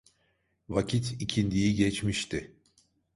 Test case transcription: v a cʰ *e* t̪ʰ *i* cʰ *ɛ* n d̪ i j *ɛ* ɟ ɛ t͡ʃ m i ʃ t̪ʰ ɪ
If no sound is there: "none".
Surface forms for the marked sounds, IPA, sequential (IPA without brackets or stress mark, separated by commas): i, i, i, i